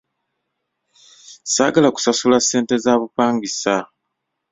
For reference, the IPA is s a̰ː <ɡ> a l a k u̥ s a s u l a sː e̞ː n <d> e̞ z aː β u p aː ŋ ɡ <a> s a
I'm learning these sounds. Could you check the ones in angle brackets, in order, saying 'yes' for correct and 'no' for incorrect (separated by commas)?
yes, no, no